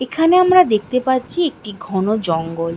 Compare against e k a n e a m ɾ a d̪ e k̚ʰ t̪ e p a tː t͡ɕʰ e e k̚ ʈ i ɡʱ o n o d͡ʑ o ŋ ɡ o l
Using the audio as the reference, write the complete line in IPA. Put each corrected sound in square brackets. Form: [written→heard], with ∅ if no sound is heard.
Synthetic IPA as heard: e [k→kʰ] a n e a m ɾ a d̪ e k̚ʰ t̪ e p a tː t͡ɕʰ [e→i] e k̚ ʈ i ɡʱ [o→ɔ] n o d͡ʑ [o→ɔ] ŋ ɡ o l